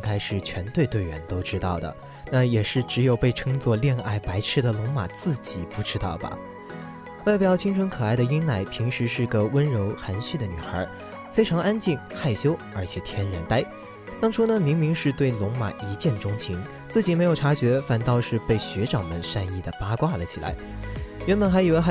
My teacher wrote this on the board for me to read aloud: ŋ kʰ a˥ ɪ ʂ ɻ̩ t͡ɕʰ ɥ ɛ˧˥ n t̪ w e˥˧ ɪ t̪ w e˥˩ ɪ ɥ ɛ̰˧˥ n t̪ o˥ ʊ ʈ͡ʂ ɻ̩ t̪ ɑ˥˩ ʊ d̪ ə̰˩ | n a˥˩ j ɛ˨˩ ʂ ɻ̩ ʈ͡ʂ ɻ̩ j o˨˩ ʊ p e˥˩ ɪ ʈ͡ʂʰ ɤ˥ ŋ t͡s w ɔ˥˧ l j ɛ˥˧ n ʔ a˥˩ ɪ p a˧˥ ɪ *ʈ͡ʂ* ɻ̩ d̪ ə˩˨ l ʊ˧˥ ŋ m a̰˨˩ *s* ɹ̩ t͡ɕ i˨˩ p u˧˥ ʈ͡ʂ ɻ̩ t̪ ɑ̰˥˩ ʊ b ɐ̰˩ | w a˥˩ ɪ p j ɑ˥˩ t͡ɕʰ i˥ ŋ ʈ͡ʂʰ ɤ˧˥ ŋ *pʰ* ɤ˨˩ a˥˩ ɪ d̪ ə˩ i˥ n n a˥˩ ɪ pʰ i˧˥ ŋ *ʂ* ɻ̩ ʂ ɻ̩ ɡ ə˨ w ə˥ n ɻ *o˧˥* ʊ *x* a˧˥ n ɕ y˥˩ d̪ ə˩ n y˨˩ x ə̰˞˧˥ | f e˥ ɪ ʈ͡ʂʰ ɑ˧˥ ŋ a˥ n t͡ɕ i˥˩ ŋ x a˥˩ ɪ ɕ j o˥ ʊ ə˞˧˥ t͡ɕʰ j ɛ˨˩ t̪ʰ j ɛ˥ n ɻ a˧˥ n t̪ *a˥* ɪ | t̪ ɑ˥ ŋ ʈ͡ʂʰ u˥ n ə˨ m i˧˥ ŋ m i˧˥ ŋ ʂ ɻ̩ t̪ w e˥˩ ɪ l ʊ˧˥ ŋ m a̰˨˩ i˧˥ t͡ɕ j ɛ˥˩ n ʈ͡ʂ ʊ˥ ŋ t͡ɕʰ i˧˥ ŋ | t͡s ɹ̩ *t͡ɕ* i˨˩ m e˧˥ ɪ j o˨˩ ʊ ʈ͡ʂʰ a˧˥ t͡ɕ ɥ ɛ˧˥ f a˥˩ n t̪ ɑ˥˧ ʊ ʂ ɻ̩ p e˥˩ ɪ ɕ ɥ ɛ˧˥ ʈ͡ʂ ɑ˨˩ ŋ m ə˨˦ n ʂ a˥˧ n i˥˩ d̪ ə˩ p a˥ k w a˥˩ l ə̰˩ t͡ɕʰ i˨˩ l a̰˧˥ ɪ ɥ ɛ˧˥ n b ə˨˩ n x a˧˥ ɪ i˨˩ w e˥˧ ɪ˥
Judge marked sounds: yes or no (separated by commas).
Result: no, no, no, yes, yes, yes, yes, yes